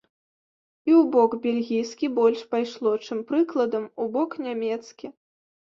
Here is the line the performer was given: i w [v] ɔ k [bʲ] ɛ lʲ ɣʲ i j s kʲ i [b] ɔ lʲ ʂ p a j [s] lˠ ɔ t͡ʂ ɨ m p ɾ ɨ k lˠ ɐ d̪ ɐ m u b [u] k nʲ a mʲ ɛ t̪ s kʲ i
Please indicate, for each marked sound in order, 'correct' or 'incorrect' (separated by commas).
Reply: incorrect, correct, correct, incorrect, incorrect